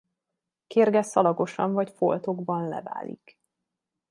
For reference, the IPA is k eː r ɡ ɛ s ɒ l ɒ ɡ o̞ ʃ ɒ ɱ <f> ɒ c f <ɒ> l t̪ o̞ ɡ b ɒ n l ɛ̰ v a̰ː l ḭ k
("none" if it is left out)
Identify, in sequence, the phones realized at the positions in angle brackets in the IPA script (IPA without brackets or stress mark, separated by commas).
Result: v, o